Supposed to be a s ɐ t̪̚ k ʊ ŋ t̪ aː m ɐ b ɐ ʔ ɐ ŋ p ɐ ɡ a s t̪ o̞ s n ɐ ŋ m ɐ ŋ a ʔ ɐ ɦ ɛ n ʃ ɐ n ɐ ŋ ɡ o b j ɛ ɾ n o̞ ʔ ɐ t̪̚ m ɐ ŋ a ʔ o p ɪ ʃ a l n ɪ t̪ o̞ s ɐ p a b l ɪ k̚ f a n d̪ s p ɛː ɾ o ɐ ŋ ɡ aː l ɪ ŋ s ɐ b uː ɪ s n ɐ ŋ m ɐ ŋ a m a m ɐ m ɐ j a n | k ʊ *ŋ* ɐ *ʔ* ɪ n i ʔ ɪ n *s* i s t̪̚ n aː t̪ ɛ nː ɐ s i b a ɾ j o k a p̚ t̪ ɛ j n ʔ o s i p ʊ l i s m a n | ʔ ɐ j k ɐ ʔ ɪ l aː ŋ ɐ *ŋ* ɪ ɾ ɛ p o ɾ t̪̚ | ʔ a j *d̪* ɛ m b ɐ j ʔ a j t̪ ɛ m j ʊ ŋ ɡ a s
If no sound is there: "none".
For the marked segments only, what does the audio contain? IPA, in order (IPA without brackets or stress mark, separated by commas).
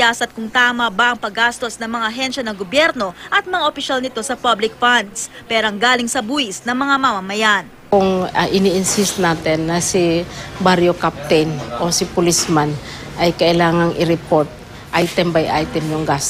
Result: ŋ, ʔ, s, ŋ, t̪